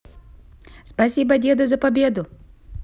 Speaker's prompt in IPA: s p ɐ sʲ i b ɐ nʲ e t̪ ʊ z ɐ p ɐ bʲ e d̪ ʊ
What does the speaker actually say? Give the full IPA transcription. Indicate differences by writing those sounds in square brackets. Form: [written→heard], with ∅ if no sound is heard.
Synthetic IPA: s p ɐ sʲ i b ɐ [nʲ→dʲ] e [t̪→d̪] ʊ z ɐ p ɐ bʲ e d̪ ʊ